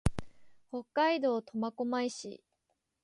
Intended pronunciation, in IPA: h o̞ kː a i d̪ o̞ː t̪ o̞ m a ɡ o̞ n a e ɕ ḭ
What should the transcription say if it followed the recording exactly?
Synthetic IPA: h o̞ kː a i d̪ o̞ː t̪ o̞ m a k o̞ m a i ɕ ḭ